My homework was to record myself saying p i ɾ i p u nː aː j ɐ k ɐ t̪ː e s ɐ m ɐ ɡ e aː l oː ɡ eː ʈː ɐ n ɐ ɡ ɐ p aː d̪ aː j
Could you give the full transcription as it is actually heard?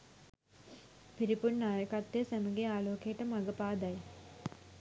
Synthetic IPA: p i ɾ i p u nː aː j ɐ k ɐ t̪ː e s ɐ m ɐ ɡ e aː l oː k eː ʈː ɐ m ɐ ɡ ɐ p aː d̪ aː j